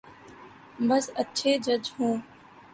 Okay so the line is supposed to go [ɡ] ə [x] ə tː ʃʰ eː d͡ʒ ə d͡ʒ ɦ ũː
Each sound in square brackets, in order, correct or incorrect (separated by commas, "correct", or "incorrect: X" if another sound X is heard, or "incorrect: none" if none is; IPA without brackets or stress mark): incorrect: b, incorrect: s